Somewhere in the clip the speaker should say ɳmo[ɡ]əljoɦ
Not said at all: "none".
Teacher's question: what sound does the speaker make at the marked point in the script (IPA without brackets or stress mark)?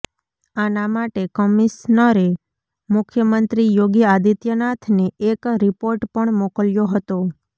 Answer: k